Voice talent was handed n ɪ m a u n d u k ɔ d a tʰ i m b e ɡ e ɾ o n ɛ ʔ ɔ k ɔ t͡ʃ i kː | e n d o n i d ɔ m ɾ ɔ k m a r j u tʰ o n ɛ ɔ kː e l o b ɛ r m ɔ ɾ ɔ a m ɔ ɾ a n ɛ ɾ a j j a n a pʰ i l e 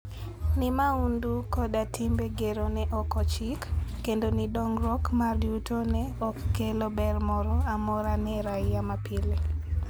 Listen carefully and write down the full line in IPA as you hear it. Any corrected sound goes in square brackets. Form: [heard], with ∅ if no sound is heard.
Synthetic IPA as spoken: n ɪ m a u n d u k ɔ d a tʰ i m b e ɡ e ɾ o n ɛ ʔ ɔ k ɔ t͡ʃ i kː | e n d o n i d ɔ [ŋ] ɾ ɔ k m a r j u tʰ o n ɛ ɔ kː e l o b ɛ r m ɔ ɾ ɔ a m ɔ ɾ a n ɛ ɾ a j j a [m] a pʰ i l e